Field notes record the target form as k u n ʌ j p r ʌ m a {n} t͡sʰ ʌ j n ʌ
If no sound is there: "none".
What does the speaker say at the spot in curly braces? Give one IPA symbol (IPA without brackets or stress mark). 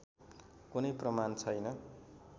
n